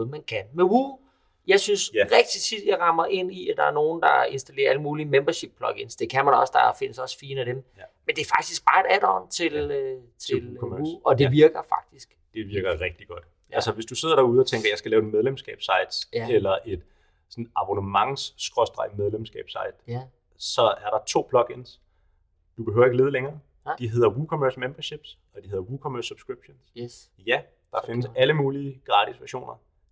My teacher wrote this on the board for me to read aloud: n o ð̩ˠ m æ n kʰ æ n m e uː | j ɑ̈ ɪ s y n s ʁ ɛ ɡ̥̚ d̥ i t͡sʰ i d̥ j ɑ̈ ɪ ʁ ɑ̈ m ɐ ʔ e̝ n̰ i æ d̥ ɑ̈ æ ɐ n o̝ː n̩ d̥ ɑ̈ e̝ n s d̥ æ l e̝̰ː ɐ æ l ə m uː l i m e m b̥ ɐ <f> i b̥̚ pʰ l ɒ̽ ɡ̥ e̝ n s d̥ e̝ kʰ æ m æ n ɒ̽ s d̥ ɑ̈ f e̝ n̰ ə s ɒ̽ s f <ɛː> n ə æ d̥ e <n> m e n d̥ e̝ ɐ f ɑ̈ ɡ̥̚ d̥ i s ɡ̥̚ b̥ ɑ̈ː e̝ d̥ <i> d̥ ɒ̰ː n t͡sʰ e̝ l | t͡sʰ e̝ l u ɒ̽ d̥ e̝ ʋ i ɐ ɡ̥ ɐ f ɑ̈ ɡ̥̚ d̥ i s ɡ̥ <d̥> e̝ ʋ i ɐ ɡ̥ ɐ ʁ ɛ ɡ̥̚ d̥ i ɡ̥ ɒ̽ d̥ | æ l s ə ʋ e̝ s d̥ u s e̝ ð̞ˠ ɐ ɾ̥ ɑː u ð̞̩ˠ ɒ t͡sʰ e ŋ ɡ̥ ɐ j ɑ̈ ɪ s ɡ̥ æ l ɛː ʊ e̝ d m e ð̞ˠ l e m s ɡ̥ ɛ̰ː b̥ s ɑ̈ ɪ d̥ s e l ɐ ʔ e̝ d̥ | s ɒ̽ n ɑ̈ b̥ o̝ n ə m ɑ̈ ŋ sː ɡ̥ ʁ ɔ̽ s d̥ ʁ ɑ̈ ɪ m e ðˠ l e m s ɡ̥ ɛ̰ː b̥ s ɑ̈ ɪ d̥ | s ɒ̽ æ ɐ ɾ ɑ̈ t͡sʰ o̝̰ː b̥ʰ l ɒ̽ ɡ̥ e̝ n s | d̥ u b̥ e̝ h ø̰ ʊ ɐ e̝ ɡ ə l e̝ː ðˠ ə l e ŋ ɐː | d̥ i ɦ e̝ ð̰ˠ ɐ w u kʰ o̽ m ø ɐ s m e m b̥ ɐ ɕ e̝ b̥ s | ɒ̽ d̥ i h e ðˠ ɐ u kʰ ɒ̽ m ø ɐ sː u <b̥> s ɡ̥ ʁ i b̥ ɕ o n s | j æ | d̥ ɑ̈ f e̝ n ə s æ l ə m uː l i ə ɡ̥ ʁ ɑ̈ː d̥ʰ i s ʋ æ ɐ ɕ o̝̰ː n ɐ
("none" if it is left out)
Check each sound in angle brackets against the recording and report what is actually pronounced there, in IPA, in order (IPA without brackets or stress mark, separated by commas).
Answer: ɕ, iː, m, æ, d̥, b̥